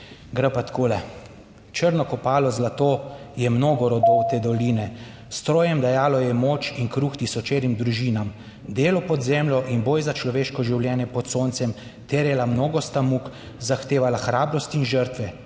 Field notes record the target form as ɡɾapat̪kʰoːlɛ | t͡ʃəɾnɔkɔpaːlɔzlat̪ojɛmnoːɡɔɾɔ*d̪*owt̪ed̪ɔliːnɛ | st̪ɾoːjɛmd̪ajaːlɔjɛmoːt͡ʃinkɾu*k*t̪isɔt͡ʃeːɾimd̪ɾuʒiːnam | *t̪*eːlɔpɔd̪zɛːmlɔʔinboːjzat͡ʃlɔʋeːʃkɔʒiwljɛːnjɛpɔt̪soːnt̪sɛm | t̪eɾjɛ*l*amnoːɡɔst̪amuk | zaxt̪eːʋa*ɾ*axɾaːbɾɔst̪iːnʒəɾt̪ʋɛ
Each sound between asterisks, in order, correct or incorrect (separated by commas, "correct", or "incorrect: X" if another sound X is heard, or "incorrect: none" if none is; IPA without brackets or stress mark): correct, incorrect: x, incorrect: d̪, correct, incorrect: l